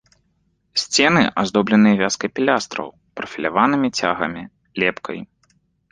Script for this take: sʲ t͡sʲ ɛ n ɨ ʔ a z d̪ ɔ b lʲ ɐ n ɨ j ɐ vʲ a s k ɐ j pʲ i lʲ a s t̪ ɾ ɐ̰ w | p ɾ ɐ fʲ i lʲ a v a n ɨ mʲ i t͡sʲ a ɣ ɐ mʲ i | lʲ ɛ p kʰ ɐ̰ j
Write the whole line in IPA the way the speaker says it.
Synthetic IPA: sʲ t͡sʲ ɛ n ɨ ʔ a z d̪ ɔ b lʲ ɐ n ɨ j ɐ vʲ a s k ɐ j pʲ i lʲ a s t̪ ɾ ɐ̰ w | p ɾ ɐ fʲ i lʲ a v a n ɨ mʲ i t͡sʲ a ɣ ɐ mʲ i | lʲ ɛ p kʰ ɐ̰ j